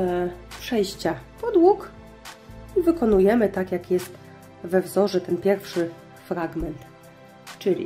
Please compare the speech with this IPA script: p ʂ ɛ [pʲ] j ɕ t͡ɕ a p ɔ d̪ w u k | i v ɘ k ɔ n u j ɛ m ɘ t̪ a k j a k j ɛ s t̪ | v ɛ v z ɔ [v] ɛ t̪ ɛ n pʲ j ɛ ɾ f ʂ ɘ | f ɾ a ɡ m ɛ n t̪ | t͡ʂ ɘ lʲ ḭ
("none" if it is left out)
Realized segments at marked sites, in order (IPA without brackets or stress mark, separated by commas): none, ʐ